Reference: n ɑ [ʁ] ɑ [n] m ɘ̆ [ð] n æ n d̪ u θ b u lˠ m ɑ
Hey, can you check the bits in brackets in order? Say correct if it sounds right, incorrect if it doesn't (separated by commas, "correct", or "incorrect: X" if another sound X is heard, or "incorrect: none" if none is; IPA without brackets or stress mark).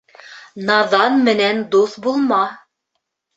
incorrect: ð, correct, incorrect: none